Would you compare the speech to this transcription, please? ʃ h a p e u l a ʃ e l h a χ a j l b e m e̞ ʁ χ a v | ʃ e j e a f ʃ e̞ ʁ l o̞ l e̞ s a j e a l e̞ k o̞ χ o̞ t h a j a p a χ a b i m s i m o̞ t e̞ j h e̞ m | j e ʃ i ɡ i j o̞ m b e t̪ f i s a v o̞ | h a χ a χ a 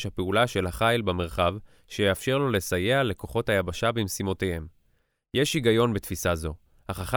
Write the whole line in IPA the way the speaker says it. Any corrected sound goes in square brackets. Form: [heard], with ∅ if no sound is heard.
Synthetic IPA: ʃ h a p e u l a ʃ e l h a χ a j l b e m e̞ ʁ χ a v | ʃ e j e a f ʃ e̞ ʁ l o̞ l e̞ s a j e a l e̞ k o̞ χ o̞ t h a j a [b] a [ʃ] a b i m s i m o̞ t e̞ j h e̞ m | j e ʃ i ɡ [a] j o̞ [n] b e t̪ f i s a [z] o̞ | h a χ a χ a